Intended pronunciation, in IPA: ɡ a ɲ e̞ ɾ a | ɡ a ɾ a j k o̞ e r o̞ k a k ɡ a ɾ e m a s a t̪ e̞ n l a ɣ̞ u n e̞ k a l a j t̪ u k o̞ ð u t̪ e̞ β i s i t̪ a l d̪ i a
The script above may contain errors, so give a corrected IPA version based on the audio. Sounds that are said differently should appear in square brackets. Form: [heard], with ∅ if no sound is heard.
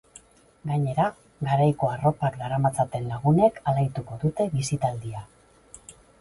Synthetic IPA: ɡ a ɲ e̞ ɾ a | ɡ a ɾ a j k o̞ [a] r o̞ [p] a k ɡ a ɾ [a] m a [t͡s] a t̪ e̞ n l a ɣ̞ u n e̞ k a l a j t̪ u k o̞ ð u t̪ e̞ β i s i t̪ a l d̪ i a